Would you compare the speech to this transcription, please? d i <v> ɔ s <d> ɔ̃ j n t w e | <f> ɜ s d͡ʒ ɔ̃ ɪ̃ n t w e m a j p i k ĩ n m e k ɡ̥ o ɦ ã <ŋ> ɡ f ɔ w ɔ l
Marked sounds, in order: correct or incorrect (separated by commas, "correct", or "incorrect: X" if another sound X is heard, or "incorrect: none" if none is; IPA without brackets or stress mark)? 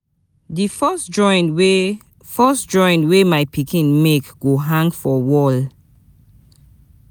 incorrect: f, incorrect: d͡ʒ, correct, correct